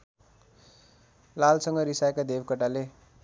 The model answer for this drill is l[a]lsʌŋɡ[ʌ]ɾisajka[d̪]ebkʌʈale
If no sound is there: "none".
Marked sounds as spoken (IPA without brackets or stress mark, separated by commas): a, ʌ, d̪